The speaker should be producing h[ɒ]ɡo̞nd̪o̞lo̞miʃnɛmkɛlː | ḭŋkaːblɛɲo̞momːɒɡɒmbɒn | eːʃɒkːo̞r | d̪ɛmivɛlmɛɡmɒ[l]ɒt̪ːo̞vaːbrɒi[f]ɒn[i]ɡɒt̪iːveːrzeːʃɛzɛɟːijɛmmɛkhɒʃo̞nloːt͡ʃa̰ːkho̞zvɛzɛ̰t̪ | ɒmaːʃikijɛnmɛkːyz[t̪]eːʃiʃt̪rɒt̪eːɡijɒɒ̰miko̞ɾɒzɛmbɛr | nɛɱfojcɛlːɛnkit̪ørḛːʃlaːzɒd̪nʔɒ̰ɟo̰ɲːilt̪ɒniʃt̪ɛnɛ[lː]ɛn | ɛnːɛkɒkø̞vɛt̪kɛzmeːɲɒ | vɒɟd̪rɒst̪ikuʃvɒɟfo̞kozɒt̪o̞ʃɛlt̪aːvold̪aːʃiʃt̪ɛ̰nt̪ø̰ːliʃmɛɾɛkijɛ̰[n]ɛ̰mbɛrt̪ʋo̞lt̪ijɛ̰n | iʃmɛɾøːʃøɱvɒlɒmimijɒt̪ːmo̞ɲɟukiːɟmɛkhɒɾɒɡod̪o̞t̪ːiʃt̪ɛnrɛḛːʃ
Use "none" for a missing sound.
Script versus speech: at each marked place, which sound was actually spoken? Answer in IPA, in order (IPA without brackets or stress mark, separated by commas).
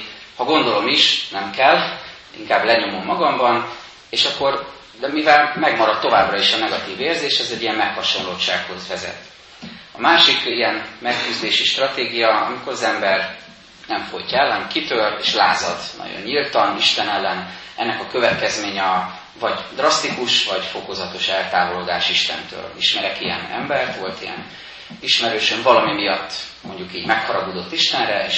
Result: ɒ, ɾ, ʃ, ɛ, d̪, lː, n